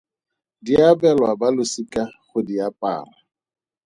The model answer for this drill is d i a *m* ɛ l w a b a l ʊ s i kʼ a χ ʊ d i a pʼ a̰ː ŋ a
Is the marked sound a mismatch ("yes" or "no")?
yes